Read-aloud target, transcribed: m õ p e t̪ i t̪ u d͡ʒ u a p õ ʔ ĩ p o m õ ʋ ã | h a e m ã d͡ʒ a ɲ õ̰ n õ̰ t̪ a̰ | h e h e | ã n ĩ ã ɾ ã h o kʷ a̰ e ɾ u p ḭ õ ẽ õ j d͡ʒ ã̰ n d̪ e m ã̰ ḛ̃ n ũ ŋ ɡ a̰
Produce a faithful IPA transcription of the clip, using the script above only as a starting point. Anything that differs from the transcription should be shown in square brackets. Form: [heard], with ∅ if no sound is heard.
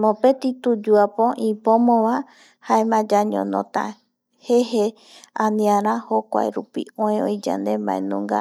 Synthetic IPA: m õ p e t̪ i t̪ u d͡ʒ u a p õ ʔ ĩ p o m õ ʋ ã | h a e m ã d͡ʒ a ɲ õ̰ n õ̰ t̪ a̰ | h e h e | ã n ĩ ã ɾ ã h o kʷ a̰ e ɾ u p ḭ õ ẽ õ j d͡ʒ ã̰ n d̪ e m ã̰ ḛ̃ n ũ ŋ ɡ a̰